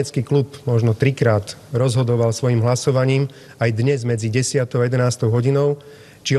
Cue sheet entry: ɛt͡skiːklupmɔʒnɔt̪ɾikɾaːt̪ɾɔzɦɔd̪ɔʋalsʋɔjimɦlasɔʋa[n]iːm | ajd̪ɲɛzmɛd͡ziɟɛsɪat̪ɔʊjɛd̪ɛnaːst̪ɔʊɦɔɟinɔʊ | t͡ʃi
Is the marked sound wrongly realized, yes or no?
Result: yes